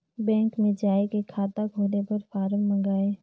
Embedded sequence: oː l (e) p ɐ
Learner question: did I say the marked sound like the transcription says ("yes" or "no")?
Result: yes